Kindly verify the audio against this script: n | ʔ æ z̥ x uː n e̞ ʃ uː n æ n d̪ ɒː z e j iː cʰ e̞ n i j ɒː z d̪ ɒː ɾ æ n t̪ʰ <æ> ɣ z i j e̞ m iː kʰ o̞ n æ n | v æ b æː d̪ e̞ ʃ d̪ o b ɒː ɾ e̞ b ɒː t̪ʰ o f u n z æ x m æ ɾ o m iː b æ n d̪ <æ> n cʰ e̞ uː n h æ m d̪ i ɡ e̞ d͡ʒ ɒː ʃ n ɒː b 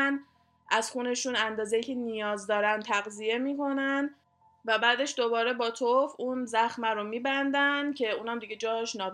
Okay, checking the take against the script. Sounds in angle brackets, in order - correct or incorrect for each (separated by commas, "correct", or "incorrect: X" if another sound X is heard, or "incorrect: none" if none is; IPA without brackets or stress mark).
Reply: correct, correct